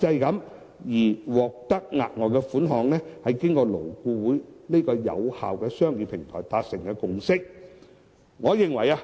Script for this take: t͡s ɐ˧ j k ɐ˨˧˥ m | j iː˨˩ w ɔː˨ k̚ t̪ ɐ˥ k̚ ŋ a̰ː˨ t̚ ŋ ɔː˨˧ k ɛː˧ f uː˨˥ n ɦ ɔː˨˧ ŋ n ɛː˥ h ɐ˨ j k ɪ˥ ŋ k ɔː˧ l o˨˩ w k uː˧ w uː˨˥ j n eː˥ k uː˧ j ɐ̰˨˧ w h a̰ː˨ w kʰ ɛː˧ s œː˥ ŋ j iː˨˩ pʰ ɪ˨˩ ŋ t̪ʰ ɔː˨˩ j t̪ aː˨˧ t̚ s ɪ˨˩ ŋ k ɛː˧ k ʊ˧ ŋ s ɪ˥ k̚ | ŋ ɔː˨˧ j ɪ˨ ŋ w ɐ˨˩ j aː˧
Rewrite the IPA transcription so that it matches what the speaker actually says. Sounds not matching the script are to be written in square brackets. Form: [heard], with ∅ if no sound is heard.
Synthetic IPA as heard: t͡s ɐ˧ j k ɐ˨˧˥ m | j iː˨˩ w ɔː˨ k̚ t̪ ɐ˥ k̚ ŋ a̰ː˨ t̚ ŋ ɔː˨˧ k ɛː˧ f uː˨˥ n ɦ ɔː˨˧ ŋ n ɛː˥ h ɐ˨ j k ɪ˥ ŋ k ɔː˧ l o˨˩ w k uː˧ w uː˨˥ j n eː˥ k [ɔː˧] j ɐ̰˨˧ w h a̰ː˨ w [k] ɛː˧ s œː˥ ŋ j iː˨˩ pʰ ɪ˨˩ ŋ t̪ʰ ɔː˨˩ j t̪ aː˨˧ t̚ s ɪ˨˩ ŋ k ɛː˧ k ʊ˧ ŋ s ɪ˥ k̚ | ŋ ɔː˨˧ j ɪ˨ ŋ w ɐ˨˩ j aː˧